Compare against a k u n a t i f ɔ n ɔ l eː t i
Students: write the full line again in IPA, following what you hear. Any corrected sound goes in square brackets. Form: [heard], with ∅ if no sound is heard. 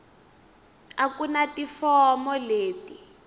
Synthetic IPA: a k u n a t i f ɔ [m] ɔ l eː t i